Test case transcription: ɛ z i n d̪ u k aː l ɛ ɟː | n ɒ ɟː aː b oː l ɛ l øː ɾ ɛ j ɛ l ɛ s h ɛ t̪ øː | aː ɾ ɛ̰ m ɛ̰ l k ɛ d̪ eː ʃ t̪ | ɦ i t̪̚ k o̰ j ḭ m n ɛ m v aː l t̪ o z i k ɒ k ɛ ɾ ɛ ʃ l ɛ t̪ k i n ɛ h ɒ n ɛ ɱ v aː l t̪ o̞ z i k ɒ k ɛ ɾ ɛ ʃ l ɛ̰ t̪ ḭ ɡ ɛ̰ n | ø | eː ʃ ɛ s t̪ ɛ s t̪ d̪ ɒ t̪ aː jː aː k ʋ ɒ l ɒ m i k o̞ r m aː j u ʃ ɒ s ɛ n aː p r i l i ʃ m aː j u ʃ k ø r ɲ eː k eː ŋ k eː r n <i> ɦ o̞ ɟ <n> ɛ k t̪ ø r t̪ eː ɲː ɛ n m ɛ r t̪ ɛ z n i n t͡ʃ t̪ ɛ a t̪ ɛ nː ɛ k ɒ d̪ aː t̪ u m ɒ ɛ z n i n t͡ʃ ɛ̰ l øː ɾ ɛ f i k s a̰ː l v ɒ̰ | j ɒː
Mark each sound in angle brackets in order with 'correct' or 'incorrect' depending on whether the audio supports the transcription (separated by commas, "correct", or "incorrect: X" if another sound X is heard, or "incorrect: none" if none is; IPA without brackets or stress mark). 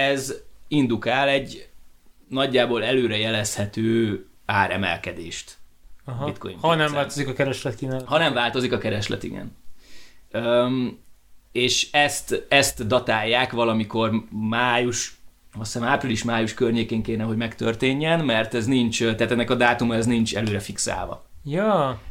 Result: incorrect: ɛ, incorrect: m